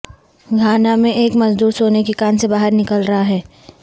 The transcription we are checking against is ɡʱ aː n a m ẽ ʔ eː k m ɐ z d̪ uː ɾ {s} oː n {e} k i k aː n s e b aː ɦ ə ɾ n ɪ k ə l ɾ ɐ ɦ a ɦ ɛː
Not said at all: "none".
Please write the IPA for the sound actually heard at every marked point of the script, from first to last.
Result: s, e

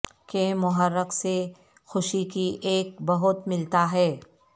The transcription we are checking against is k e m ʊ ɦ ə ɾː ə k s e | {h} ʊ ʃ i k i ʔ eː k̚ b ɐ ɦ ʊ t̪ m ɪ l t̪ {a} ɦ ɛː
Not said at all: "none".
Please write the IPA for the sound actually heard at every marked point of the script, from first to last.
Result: x, a

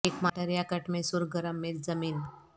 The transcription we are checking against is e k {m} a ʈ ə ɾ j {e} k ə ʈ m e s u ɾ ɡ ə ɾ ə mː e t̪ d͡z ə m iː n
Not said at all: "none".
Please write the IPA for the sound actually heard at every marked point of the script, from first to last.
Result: m, a

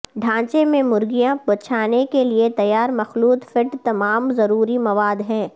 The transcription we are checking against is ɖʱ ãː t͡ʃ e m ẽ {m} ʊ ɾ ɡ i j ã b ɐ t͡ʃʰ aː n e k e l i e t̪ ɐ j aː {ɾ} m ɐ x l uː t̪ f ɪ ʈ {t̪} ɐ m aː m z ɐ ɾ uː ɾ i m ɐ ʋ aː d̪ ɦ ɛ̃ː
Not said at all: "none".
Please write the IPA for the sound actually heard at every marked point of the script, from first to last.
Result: m, ɾ, t̪

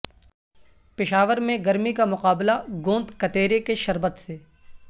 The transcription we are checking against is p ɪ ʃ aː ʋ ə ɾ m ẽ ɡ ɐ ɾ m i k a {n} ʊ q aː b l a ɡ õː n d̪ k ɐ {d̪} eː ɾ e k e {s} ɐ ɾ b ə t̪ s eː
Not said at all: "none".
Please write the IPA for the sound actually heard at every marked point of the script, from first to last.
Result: m, t̪, ʃ

